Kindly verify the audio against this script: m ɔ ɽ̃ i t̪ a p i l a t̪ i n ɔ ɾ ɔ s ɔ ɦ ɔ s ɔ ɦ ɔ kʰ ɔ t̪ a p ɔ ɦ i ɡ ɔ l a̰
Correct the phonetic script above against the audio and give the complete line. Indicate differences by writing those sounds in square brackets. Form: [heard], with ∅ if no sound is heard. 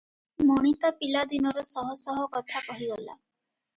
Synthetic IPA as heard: m ɔ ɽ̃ i t̪ a p i l a [d̪] i n ɔ ɾ ɔ s ɔ ɦ ɔ s ɔ ɦ ɔ [k] ɔ [t̪ʰ] a [k] ɔ ɦ i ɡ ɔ l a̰